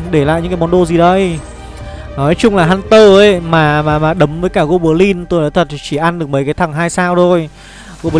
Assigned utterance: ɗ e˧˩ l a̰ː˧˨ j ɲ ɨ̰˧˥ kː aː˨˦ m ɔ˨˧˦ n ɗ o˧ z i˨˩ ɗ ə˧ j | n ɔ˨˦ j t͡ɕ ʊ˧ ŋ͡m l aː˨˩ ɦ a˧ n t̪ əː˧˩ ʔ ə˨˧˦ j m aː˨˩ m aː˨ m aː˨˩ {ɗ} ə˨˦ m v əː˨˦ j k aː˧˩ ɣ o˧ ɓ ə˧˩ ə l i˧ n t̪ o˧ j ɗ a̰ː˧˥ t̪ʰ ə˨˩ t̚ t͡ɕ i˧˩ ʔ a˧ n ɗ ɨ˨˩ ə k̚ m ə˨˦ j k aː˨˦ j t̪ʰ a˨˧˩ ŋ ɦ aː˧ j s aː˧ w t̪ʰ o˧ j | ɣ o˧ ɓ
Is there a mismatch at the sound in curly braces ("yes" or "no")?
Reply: no